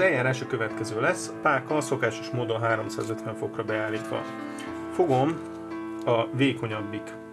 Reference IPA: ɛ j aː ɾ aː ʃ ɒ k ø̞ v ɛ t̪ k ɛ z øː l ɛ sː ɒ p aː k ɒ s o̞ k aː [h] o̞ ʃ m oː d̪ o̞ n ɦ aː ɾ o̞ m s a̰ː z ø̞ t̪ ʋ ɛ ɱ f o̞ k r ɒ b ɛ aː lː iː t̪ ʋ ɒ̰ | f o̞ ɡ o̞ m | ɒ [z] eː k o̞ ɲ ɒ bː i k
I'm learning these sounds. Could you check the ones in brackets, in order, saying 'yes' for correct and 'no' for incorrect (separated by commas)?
no, no